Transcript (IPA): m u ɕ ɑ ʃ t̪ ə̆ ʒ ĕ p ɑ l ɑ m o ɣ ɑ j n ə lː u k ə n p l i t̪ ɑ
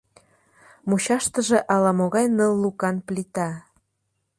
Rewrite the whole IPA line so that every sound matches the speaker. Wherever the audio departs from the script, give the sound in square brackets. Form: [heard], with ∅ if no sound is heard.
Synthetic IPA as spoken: m u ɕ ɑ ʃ t̪ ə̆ ʒ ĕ [ʔ] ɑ l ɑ m o ɣ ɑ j n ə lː u k [ɑ] n p l i t̪ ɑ